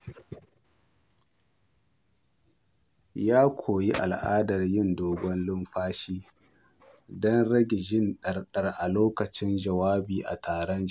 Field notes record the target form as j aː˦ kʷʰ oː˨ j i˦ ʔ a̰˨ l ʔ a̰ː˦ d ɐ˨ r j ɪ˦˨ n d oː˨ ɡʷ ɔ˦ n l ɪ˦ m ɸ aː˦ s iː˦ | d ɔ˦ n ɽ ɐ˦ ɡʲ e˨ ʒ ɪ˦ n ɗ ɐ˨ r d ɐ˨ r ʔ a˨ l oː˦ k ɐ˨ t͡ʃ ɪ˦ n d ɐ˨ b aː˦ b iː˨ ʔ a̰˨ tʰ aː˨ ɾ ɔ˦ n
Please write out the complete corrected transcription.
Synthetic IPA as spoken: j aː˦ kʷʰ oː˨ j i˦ ʔ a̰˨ l ʔ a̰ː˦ d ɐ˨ r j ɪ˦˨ n d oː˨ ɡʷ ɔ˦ n l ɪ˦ m ɸ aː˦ ʃ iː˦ | d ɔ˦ n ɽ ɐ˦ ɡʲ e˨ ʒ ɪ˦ n ɗ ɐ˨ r ɗ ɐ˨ r ʔ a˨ l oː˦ k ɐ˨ t͡ʃ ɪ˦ n d͡ʒ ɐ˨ w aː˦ b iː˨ ʔ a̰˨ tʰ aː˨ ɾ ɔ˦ n

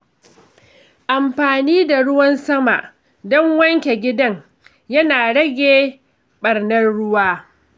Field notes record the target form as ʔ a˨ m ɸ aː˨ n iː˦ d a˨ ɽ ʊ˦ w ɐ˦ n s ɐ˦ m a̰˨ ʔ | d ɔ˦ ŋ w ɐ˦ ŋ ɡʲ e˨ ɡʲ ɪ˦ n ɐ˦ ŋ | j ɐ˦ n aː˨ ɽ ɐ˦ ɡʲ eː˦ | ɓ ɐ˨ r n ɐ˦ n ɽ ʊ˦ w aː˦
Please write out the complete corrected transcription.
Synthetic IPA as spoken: ʔ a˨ m ɸ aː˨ n iː˦ d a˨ ɽ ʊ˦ w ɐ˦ n s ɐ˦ m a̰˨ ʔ | d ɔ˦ ŋ w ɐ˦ ŋ kʲ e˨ ɡʲ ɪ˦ d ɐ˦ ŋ | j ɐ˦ n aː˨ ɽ ɐ˦ ɡʲ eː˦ | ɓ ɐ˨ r n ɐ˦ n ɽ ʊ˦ w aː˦

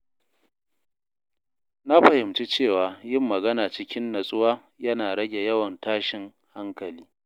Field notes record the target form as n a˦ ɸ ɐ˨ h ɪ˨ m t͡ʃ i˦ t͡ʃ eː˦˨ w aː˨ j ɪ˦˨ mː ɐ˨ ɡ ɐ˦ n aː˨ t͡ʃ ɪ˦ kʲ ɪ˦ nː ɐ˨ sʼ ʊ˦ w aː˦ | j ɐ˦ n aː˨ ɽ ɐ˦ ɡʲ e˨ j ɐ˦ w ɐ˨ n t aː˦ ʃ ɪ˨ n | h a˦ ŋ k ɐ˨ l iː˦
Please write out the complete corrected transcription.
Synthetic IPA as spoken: n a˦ ɸ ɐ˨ h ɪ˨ m t͡ʃ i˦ t͡ʃ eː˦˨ w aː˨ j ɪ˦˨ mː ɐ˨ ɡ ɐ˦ n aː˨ t͡ʃ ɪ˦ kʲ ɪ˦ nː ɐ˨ sʼ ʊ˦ w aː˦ | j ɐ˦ n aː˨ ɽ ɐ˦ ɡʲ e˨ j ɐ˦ w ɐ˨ n t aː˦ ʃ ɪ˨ ŋ | h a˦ ŋ k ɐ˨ l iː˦

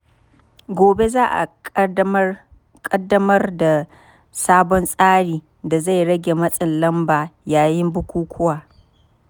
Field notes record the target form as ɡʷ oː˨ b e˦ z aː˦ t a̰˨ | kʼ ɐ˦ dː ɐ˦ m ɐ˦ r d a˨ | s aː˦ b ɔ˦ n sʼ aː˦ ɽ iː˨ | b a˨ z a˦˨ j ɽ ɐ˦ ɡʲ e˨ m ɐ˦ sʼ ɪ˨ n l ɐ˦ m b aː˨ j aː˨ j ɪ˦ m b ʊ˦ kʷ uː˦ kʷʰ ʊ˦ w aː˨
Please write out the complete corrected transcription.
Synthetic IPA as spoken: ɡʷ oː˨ b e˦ z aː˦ ʔ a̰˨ | kʼ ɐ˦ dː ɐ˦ m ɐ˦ r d a˨ | s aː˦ b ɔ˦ n sʼ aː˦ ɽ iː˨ | d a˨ z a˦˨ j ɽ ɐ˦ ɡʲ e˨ m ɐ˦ sʼ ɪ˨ n l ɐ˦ m b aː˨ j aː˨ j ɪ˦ m b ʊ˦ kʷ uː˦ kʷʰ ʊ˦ w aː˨

